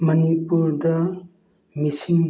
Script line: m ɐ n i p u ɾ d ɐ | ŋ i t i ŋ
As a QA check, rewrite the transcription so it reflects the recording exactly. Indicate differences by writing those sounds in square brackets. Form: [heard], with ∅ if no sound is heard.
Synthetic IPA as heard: m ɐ n i p u ɾ d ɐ | [m] i [s] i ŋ